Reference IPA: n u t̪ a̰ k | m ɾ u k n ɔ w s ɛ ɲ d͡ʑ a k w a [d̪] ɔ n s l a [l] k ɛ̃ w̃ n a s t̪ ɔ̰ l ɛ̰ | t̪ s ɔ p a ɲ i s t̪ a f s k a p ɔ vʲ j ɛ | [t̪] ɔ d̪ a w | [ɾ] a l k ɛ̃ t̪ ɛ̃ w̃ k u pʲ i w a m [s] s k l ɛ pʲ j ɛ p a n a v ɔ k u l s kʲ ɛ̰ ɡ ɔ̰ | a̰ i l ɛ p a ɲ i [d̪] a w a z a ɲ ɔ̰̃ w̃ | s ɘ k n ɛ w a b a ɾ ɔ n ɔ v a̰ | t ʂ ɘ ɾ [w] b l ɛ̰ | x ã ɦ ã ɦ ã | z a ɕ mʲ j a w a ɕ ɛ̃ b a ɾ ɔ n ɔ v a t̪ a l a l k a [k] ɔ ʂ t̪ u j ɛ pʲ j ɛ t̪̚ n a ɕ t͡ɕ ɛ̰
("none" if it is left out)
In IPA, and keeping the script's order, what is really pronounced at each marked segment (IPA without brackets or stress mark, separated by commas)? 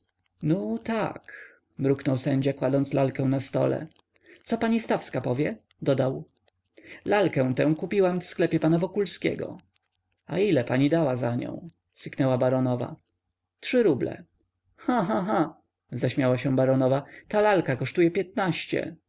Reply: d̪, l, d̪, l, f, d̪, u, k